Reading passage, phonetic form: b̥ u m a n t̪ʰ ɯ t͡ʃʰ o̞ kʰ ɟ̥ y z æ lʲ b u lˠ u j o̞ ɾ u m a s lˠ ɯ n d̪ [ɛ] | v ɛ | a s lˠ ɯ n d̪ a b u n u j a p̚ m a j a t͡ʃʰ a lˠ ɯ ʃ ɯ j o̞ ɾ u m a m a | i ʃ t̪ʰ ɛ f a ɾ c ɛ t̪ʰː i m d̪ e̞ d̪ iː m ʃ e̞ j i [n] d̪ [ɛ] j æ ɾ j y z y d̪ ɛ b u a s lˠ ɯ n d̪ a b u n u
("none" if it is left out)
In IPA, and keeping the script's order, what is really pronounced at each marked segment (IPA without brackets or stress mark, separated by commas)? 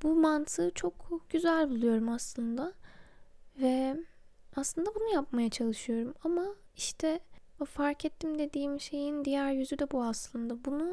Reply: a, n, i